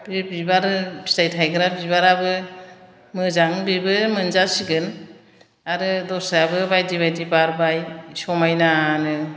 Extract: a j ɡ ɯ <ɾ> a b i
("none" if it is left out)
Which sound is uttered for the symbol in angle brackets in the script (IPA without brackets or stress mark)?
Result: ɾ